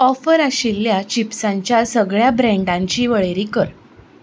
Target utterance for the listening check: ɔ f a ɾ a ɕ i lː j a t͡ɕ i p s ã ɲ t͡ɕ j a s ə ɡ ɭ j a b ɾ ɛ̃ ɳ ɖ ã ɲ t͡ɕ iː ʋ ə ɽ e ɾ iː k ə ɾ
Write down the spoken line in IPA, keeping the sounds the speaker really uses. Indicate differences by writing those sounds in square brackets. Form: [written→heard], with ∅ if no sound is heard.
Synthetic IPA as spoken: ɔ f [a→ə] ɾ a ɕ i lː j a t͡ɕ i p s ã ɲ t͡ɕ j a s ə ɡ ɭ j a b ɾ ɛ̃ ɳ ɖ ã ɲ t͡ɕ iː ʋ ə [ɽ→ɭ] e ɾ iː k ə ɾ

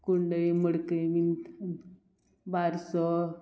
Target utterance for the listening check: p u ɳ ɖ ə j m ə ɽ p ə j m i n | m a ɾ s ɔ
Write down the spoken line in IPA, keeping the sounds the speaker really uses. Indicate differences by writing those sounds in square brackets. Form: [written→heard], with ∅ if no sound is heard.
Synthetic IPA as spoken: [p→k] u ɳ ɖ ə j m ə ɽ [p→k] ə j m i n | [m→b] a ɾ s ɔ

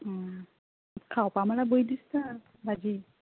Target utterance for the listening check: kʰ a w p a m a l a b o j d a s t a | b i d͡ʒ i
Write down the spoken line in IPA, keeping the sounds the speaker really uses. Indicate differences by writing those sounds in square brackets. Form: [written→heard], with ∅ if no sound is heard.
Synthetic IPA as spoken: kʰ a w p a m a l a b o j d [a→i] s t a | b [i→a] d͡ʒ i

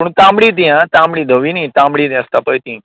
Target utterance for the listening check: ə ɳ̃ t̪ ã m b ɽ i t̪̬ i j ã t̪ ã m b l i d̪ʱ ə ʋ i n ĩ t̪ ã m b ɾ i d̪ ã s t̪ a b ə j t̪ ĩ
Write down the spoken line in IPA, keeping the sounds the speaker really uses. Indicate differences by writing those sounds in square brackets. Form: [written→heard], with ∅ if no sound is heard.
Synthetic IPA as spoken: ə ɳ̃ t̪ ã m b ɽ i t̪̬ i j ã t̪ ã m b [l→ɽ] i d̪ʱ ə ʋ i n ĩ t̪ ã m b [ɾ→ɽ] i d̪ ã s t̪ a [b→p] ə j t̪ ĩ

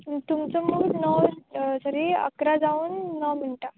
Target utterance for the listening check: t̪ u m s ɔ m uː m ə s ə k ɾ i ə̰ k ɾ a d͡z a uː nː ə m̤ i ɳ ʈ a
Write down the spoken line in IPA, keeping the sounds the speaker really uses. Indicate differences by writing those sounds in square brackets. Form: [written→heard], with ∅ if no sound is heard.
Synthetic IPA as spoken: t̪ u m [s→t͡s] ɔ m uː [m→n] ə s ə [k→∅] ɾ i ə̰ k ɾ a d͡z a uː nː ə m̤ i ɳ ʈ a

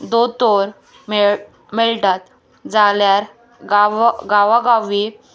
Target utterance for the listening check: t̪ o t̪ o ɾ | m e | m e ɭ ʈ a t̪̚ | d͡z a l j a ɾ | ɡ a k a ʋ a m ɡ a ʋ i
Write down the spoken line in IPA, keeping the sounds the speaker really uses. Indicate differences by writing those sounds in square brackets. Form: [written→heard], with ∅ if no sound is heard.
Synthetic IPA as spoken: [t̪→d̪] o t̪ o ɾ | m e | m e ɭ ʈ a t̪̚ | d͡z a l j a ɾ | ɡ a [k→ɡ] a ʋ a [m→∅] ɡ a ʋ i

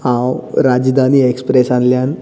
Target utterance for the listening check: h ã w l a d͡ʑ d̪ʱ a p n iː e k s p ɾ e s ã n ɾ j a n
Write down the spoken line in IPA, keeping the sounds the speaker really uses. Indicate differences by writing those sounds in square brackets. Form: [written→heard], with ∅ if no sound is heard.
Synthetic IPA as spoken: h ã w [l→ɾ] a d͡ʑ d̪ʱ a [p→∅] n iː e k s p ɾ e s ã n [ɾ→l] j a n

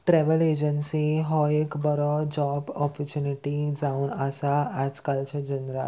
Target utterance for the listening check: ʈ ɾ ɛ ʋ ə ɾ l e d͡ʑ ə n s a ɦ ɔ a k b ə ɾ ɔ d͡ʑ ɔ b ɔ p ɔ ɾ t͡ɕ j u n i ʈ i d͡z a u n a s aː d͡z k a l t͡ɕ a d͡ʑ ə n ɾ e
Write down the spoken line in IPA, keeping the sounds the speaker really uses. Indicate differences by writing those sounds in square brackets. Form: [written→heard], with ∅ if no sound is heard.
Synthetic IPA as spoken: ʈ ɾ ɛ ʋ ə [ɾ→∅] l e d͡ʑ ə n s [a→i] ɦ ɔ [a→e] k b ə ɾ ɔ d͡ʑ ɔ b ɔ p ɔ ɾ t͡ɕ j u n i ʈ i d͡z a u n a s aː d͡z k a l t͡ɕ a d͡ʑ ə n ɾ [e→a]

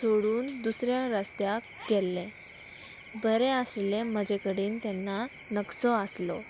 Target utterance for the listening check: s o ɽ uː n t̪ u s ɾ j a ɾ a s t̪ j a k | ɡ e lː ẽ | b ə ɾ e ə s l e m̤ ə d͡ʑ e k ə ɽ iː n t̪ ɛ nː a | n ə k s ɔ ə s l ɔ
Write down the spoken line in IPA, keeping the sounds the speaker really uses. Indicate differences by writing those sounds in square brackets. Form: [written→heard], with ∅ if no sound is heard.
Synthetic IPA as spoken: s o ɽ uː n [t̪→d̪] u s ɾ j a ɾ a s t̪ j a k | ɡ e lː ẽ | b ə ɾ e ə s l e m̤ ə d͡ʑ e k ə ɽ iː n t̪ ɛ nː a | n ə k s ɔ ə s l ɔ

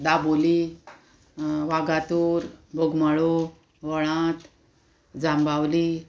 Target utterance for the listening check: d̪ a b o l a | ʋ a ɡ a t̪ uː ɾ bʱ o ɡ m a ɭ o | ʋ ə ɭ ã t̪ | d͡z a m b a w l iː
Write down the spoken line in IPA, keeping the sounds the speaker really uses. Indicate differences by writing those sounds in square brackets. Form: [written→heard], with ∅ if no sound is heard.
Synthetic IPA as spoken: d̪ a b o l [a→i] | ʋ a ɡ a t̪ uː ɾ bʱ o ɡ m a ɭ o | ʋ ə ɭ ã t̪ | d͡z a m b a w l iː

